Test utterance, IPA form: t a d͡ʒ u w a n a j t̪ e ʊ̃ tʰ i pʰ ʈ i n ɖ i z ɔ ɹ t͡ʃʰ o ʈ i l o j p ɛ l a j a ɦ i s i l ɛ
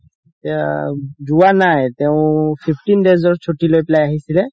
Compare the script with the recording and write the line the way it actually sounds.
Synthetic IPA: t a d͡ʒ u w a n a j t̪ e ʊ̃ pʰ i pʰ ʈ i n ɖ e z ɔ ɹ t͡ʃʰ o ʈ i l o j p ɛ l a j a ɦ i s i l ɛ

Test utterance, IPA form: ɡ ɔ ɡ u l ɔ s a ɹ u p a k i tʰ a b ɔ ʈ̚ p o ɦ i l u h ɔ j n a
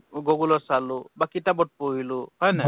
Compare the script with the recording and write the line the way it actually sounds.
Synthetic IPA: ɡ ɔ ɡ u l ɔ s a l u b a k i t a b ɔ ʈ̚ p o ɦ i l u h ɔ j n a

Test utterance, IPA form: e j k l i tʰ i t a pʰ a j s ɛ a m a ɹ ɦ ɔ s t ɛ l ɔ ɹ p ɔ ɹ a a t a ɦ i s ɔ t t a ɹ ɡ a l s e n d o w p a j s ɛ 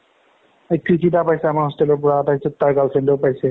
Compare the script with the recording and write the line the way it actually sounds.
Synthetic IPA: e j k ɹ i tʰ i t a p a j s ɛ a m a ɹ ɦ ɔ s t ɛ l ɔ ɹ p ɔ ɹ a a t a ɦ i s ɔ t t a ɹ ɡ a l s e n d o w p a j s ɛ

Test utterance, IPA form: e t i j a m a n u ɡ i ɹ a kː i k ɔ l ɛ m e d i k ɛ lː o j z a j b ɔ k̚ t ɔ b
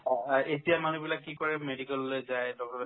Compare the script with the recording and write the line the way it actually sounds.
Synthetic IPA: e t i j a m a n u b i l a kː i k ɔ ɹ ɛ m e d i k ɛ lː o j z a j d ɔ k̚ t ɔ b

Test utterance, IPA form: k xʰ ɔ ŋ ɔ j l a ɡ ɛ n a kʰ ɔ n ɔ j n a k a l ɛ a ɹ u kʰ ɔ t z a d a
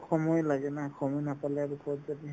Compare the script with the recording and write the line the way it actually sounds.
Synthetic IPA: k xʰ ɔ m ɔ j l a ɡ ɛ n a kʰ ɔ m ɔ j n a p a l ɛ a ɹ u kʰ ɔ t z a d i

